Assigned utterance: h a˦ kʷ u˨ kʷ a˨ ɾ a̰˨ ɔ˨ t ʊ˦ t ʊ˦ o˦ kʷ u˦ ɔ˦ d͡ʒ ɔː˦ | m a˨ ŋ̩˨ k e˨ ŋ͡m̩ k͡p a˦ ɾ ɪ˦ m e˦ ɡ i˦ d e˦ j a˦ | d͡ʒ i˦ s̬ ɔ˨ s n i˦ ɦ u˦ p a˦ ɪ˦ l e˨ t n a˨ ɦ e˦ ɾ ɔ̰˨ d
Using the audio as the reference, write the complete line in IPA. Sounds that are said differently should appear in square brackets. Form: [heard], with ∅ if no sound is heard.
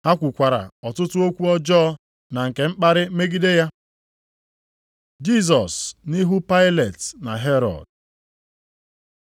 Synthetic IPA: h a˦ kʷ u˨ kʷ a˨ ɾ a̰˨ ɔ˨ t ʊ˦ t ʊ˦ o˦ kʷ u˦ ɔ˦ d͡ʒ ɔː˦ | [n] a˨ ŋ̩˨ k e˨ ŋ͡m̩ k͡p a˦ ɾ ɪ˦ m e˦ ɡ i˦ d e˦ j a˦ | d͡ʒ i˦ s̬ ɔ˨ s n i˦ ɦ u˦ p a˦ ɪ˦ l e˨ t n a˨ ɦ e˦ ɾ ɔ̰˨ d

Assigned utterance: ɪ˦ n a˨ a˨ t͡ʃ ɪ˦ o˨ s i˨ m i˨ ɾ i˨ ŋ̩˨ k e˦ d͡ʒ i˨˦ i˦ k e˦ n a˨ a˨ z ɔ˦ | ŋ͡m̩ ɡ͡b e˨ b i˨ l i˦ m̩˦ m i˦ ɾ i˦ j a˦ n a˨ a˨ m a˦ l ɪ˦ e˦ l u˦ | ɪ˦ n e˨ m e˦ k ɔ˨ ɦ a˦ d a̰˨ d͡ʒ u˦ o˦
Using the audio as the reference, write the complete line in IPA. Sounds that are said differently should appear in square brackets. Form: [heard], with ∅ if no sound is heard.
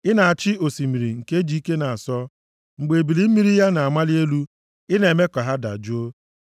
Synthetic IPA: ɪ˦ n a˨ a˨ t͡ʃ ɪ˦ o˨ s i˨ m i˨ ɾ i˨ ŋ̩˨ k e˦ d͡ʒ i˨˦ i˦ k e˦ n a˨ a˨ [s] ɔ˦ | ŋ͡m̩ ɡ͡b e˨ b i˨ l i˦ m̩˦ m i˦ ɾ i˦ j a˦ n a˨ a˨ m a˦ l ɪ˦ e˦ l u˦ | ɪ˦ n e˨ m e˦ k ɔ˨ ɦ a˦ d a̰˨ d͡ʒ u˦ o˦

